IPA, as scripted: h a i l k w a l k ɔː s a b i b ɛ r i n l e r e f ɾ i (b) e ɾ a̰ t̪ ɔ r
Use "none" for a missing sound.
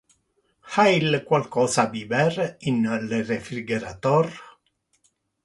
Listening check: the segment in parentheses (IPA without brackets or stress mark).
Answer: ɡ